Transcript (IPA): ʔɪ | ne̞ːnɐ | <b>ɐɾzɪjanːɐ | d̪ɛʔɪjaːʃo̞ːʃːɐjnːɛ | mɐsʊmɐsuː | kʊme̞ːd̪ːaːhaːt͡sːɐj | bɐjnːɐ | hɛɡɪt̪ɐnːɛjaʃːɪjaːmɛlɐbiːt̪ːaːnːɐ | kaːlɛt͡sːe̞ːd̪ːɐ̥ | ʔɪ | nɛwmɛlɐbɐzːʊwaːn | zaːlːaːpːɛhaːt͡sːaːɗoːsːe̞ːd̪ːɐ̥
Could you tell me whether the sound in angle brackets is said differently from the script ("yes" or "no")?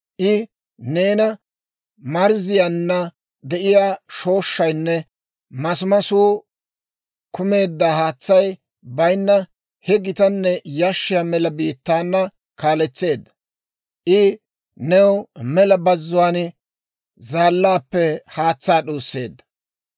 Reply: yes